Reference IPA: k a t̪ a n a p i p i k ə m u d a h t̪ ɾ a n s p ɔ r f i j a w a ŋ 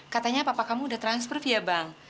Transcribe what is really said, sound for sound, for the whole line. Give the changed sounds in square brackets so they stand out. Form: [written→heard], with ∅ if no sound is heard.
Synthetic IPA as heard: k a t̪ a [n→ɲ] a p [i→a] p [i→a] k [ə→a] m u d a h t̪ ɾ a n s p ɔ r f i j a [w→b] a ŋ